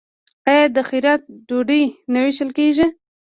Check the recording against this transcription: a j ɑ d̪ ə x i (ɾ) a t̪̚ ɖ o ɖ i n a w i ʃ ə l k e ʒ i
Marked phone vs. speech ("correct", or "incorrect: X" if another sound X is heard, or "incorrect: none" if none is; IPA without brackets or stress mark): correct